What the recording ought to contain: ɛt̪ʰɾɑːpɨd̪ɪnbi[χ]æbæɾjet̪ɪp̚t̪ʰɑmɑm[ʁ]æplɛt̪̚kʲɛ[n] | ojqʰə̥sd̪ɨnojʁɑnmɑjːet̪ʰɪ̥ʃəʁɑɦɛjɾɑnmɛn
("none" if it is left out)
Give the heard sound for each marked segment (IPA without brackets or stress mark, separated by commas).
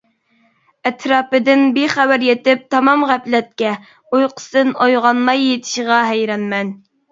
χ, ʁ, none